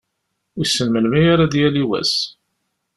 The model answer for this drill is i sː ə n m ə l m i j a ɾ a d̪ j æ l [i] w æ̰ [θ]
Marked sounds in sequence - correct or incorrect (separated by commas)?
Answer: correct, incorrect